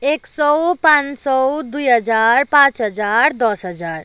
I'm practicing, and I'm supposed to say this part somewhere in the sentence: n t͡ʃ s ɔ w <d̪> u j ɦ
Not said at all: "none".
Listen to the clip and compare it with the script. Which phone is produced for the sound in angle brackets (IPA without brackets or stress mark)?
d̪